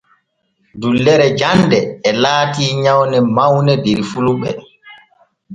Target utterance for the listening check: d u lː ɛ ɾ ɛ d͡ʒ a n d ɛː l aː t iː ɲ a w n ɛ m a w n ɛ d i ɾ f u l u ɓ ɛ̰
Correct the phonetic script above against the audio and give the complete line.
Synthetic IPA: d u lː ɛ ɾ ɛ d͡ʒ a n d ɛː l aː t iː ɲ a w n ɛ m a w n ɛ d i ɾ f u l u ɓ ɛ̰